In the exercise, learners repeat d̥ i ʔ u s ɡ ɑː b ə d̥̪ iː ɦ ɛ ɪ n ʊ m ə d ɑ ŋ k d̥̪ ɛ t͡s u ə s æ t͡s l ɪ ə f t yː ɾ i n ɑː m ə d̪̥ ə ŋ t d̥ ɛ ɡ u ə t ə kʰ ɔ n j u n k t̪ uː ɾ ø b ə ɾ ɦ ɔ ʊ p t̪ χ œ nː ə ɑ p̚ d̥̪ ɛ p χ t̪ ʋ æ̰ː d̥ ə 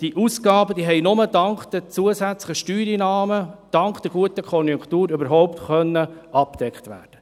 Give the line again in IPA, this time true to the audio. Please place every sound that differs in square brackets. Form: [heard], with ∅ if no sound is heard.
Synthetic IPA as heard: d̥ i ʔ u s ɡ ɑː b ə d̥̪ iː ɦ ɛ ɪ n ʊ m ə d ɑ ŋ k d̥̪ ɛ t͡s u ə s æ t͡s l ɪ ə [ʃ] t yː ɾ i n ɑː m ə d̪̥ [ɑ] ŋ [k] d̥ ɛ ɡ u ə t ə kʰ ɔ n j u [ŋ] k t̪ uː ɾ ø b ə ɾ ɦ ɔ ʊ p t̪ χ œ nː ə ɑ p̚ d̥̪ ɛ [k] χ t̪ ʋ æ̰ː d̥ ə